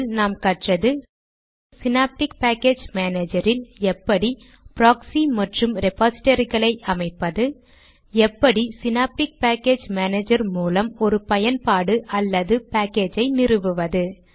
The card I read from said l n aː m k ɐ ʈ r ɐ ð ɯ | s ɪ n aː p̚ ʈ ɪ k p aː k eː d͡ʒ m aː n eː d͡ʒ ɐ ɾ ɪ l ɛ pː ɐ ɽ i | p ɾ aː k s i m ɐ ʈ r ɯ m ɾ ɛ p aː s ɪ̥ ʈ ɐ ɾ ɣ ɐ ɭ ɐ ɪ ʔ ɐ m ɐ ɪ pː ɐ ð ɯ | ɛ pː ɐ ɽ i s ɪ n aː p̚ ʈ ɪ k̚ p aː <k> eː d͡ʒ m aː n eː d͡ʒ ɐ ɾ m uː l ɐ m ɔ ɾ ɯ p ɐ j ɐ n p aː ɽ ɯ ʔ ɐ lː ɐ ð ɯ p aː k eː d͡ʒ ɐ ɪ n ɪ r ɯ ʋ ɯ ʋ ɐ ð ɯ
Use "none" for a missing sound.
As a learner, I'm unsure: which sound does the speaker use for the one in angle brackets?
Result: k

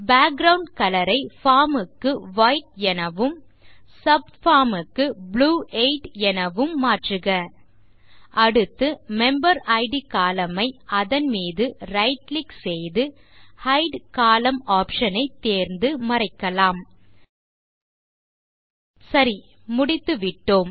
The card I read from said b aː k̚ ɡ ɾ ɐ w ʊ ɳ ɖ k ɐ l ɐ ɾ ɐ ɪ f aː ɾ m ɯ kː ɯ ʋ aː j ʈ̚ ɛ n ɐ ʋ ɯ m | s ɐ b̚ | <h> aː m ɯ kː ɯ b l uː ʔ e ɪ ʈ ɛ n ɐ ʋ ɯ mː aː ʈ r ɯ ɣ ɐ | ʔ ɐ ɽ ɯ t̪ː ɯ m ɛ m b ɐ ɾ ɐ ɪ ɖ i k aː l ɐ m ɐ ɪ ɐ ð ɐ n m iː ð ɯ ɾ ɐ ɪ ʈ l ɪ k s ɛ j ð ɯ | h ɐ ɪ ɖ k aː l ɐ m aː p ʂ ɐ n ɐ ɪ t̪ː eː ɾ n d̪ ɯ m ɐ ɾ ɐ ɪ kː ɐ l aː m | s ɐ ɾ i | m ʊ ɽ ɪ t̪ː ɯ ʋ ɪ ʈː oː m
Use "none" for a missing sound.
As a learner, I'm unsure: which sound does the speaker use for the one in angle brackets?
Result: f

